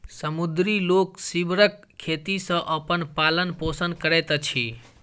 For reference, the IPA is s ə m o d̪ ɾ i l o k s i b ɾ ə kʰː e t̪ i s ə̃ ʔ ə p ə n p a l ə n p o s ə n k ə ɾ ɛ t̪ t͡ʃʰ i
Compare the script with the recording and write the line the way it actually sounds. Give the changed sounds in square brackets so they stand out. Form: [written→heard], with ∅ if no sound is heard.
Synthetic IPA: s ə m [o→u] d̪ ɾ i l o k s i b ɾ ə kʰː e t̪ i s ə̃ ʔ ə p ə n p a l ə n p o s ə n k ə ɾ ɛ t̪ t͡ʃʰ i